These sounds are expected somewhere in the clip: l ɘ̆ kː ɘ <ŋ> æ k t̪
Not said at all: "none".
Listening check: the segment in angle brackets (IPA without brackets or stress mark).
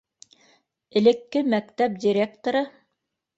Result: m